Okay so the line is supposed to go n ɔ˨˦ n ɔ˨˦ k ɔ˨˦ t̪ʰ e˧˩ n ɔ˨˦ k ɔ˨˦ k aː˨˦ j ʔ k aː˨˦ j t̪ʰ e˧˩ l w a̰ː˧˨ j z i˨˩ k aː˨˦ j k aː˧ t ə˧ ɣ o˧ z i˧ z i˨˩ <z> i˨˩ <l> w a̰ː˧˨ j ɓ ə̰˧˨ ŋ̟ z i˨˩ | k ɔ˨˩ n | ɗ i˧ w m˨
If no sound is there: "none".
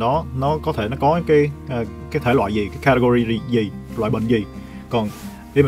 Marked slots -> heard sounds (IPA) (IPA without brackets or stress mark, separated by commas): z, l